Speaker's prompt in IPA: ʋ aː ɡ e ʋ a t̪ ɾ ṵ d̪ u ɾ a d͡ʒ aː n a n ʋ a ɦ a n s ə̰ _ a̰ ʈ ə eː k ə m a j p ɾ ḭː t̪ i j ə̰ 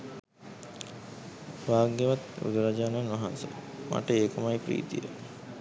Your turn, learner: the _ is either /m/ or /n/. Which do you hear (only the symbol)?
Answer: m